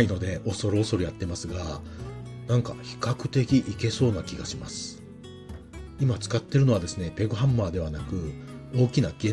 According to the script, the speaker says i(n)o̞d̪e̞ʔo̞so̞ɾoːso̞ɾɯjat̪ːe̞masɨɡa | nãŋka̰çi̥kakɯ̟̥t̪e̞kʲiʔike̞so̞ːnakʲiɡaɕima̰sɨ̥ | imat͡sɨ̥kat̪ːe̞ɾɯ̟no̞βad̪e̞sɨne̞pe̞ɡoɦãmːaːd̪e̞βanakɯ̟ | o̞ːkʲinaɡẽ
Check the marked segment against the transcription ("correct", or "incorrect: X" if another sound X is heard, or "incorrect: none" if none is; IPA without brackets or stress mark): correct